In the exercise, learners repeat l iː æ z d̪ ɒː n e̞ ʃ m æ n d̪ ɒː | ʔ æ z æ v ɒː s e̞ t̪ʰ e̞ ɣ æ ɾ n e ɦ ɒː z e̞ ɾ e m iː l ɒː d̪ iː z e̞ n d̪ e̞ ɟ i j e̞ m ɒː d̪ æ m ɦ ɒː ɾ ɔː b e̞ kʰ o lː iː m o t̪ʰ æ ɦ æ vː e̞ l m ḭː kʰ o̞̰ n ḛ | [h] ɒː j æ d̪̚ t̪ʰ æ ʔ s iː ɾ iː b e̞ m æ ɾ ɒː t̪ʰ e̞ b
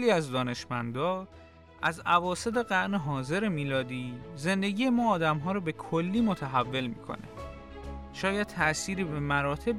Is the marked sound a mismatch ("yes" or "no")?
yes